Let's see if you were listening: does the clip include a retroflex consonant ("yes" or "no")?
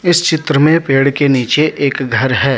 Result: yes